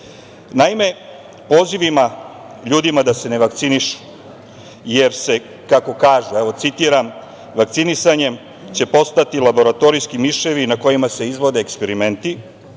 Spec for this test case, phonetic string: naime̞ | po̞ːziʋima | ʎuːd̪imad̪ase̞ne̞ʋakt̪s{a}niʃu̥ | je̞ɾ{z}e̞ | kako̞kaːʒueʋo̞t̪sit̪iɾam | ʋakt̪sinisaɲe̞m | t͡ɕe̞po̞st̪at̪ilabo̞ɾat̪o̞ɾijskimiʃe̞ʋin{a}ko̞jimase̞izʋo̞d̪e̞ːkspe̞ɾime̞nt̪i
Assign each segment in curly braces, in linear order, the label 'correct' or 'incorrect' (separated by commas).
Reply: incorrect, incorrect, correct